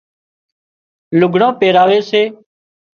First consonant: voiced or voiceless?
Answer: voiced